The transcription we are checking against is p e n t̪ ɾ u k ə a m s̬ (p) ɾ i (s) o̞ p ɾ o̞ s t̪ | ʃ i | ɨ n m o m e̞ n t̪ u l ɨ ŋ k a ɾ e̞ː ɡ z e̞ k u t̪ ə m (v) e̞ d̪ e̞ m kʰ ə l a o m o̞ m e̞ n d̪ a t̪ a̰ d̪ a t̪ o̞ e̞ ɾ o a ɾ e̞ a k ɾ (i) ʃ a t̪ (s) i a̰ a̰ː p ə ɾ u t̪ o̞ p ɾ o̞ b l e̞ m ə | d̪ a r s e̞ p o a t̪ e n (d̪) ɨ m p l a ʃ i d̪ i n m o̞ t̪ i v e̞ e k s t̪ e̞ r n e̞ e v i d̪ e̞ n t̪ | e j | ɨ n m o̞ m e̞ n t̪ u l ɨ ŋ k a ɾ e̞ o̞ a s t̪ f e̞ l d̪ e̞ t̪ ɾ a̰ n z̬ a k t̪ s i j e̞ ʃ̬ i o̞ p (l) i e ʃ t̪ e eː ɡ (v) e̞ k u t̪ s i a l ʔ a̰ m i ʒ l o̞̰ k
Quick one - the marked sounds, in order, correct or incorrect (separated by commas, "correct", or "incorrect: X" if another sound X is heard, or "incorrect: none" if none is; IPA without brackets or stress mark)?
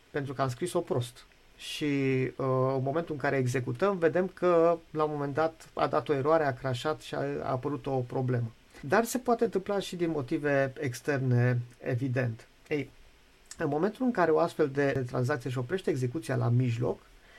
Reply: incorrect: k, correct, correct, incorrect: a, incorrect: ʃ, incorrect: t̪, incorrect: ɾ, incorrect: z